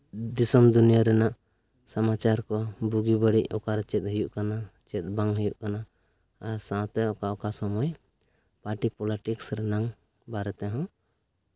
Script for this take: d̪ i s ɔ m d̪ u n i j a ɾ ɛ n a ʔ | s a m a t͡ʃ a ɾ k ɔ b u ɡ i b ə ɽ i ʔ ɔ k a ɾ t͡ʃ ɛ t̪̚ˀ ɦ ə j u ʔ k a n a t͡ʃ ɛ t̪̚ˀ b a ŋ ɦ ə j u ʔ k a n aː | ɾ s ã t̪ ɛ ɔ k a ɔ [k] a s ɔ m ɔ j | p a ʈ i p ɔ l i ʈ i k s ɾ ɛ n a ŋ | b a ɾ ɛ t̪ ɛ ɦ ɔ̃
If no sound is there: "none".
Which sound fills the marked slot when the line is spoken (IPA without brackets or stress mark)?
k